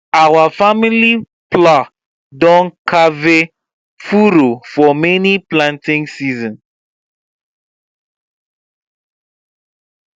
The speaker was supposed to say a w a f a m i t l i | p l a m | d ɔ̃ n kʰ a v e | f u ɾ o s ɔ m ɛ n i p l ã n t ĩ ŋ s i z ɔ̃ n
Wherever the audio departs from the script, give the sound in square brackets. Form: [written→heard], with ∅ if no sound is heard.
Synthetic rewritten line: a w a f a m i [t→∅] l i | p l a [m→∅] | d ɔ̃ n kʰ a v e | f u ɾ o [s→f] ɔ m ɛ n i p l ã n t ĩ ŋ s i z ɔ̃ n